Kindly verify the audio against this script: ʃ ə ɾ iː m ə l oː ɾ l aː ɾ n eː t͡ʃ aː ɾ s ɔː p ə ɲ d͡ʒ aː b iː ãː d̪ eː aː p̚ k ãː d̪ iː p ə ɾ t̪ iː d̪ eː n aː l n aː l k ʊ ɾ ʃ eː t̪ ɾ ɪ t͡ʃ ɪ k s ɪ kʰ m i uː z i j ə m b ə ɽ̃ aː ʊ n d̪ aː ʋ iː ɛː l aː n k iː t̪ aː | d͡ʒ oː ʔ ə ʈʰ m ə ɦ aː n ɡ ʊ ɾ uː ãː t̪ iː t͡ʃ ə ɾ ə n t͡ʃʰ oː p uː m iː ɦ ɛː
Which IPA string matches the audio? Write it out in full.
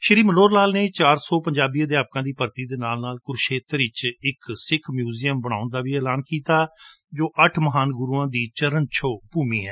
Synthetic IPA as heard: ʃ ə ɾ iː m ə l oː ɾ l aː l n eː t͡ʃ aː ɾ s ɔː p ə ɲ d͡ʒ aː b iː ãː d̪ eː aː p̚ k ãː d̪ iː p ə ɾ t̪ iː d̪ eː n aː l n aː l k ʊ ɾ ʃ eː t̪ ɾ ɪ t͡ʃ ɪ k s ɪ kʰ m j uː z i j ə m b ə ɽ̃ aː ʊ n d̪ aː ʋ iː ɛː l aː n k iː t̪ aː | d͡ʒ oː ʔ ə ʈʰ m ə ɦ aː n ɡ ʊ ɾ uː ãː d̪ iː t͡ʃ ə ɾ ə n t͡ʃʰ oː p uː m iː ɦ ɛː